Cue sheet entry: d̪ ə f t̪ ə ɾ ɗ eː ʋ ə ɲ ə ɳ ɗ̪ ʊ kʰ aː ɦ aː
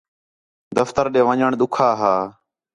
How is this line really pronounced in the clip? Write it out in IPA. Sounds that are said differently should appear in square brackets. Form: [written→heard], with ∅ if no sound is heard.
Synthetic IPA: d̪ ə f t̪ ə ɾ ɗ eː ʋ ə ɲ ə ɳ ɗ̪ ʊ kʰ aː ɦ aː